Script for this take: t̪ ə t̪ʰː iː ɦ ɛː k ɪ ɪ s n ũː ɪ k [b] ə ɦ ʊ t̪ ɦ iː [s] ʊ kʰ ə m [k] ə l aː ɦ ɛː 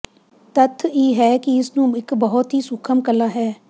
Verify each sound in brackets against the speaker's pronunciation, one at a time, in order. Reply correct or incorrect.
correct, correct, correct

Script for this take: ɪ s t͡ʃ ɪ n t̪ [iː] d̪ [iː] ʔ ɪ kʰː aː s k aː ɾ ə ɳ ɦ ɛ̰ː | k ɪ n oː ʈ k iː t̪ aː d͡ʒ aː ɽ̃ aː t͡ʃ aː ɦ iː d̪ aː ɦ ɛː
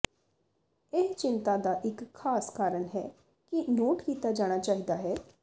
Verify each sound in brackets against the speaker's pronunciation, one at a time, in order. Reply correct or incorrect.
incorrect: aː, incorrect: aː

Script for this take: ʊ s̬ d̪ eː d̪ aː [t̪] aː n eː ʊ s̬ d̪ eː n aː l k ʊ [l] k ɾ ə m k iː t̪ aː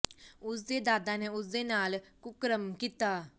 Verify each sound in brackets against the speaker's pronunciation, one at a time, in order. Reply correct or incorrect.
incorrect: d̪, incorrect: none

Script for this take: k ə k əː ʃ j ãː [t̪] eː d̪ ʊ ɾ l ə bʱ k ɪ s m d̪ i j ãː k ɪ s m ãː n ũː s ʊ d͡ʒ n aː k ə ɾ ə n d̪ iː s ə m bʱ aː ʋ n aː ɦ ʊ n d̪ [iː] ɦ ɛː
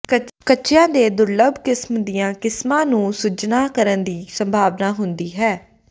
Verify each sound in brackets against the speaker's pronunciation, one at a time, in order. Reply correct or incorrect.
incorrect: d̪, correct

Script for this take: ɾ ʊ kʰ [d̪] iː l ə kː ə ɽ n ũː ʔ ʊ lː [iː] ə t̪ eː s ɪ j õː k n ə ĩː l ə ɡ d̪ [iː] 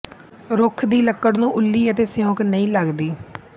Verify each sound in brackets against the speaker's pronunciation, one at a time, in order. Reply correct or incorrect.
correct, correct, correct

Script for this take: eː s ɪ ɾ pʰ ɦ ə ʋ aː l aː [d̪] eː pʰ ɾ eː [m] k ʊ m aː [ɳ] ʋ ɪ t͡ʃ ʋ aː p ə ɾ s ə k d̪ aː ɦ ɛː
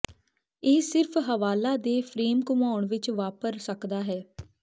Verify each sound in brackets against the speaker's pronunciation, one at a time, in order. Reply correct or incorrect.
correct, correct, correct

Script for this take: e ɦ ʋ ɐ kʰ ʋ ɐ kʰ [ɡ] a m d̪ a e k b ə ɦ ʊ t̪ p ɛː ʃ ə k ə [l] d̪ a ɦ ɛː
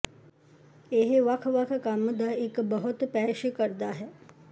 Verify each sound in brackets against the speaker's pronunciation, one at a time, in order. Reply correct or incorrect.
incorrect: k, incorrect: ɾ

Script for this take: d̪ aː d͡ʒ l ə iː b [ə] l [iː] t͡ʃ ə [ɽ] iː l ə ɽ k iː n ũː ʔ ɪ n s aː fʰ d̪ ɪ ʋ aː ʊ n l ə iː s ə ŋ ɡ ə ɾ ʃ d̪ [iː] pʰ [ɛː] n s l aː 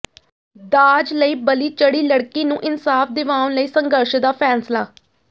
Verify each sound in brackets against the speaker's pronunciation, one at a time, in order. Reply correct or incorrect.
correct, correct, correct, incorrect: aː, correct

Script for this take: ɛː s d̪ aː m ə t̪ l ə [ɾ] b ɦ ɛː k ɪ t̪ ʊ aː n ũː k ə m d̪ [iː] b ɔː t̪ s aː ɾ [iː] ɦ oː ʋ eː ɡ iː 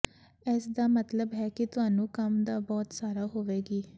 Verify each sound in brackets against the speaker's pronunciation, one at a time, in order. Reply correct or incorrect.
incorrect: none, incorrect: aː, incorrect: aː

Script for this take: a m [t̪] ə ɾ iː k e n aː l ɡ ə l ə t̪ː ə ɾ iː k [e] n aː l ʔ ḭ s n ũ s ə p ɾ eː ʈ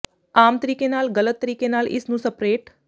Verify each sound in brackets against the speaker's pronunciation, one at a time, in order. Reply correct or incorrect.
correct, correct

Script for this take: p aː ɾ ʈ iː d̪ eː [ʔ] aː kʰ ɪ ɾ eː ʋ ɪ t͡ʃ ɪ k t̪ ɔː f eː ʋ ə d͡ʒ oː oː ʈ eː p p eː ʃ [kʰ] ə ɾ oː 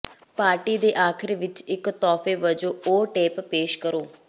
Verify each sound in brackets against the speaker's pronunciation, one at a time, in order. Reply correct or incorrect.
correct, incorrect: k

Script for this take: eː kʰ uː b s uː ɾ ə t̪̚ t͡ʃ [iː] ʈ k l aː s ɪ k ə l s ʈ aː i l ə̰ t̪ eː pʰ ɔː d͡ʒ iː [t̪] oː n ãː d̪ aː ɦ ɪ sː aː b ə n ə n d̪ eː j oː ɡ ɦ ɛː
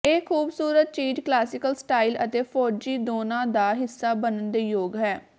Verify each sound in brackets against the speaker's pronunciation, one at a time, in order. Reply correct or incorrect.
correct, incorrect: d̪

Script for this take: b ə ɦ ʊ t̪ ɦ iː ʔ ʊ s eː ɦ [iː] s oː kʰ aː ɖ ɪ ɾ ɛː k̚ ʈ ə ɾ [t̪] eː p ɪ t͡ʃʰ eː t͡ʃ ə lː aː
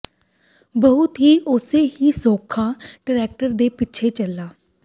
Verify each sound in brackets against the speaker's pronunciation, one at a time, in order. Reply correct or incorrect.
correct, incorrect: d̪

